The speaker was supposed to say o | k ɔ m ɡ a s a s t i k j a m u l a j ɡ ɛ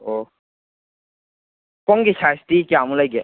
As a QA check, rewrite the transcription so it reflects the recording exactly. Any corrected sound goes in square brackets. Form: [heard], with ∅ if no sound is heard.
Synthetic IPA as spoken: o | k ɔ [ŋ] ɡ [i] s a s t i k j a m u l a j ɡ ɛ